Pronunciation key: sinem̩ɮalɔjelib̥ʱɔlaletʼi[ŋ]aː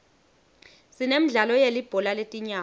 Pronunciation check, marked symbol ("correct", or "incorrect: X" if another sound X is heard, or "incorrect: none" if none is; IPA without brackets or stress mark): incorrect: ɲ